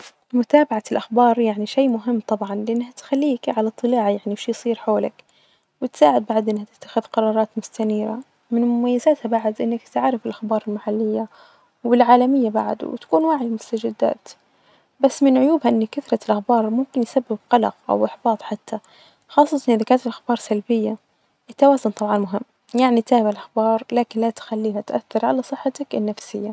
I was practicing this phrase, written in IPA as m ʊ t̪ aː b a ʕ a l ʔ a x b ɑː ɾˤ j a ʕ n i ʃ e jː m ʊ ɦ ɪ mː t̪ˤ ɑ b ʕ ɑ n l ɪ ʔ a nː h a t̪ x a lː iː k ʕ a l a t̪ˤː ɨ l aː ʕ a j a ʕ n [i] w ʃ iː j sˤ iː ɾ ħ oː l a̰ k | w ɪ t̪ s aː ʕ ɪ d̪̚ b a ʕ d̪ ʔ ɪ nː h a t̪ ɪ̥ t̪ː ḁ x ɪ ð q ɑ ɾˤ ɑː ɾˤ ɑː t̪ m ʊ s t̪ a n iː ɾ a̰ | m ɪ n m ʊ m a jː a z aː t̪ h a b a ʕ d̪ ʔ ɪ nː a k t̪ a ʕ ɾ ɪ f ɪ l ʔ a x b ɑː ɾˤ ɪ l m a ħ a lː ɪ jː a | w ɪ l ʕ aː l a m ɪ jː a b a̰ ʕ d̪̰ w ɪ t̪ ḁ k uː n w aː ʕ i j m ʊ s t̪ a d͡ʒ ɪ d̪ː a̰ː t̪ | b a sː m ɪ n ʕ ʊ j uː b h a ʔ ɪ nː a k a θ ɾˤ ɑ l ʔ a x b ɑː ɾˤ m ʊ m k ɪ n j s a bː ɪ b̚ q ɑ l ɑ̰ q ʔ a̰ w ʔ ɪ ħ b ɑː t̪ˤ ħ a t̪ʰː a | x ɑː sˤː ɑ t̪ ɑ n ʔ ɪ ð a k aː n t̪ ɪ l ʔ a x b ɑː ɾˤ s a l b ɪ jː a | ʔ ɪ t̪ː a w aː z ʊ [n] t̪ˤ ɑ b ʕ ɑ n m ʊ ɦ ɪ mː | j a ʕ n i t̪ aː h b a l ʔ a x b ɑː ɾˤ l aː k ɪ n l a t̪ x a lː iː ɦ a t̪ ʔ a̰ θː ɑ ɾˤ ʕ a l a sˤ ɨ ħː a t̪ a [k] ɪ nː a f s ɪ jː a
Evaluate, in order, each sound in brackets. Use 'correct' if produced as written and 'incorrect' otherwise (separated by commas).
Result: correct, correct, correct